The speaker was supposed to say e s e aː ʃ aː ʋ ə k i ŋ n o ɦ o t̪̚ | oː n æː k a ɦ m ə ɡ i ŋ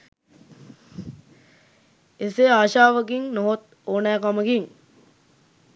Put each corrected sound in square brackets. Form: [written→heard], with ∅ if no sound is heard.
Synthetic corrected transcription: e s e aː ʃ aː ʋ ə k i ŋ n o ɦ o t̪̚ | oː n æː k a [ɦ→∅] m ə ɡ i ŋ